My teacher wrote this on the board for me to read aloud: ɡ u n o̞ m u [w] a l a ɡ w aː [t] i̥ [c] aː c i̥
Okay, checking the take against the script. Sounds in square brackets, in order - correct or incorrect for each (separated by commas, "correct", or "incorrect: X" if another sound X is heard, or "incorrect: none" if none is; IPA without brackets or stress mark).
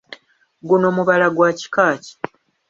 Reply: incorrect: β, incorrect: c, incorrect: k